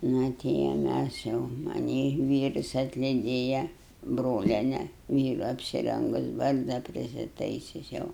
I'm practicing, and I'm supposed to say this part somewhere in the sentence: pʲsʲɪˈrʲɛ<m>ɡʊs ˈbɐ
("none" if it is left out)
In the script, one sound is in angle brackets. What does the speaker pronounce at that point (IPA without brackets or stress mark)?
ŋ